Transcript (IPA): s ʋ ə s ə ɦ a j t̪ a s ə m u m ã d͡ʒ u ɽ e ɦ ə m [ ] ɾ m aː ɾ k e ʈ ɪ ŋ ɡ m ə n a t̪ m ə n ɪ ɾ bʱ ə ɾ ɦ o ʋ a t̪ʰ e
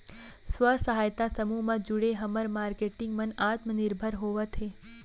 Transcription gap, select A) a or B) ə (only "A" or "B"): B